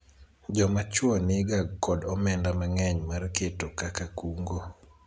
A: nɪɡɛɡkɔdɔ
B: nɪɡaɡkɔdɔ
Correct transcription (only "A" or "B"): B